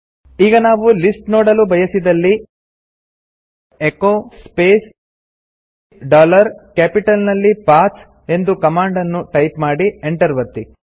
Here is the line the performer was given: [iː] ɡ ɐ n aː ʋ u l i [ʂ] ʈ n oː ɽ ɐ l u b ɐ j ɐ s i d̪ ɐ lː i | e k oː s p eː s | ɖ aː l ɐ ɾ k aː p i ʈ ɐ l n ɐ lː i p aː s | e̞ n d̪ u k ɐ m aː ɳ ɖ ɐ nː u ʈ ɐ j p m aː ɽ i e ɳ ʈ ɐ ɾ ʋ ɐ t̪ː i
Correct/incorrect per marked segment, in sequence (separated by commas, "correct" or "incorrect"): correct, incorrect